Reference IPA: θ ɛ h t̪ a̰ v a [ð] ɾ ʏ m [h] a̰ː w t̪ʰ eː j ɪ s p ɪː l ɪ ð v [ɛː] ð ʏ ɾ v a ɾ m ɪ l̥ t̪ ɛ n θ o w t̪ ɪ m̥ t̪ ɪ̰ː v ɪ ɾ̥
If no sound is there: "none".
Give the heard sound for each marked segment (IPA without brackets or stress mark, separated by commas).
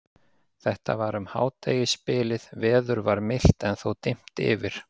none, h, ɛː